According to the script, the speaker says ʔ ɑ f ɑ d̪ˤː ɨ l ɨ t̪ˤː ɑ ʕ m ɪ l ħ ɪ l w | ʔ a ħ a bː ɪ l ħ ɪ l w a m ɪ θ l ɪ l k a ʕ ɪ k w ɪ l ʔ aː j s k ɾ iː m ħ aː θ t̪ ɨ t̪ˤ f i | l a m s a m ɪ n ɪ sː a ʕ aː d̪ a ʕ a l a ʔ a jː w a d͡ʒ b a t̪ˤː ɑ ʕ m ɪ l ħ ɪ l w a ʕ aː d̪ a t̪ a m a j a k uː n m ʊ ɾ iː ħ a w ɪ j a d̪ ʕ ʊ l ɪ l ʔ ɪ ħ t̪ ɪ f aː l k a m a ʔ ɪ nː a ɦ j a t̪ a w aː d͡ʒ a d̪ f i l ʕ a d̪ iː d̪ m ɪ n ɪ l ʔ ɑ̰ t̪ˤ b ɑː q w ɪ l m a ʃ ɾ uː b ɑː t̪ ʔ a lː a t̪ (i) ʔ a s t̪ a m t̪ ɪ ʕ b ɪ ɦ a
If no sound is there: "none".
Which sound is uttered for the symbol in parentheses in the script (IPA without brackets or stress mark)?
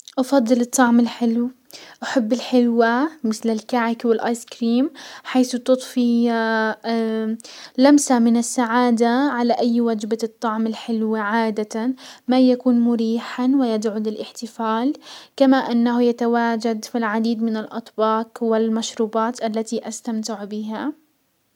i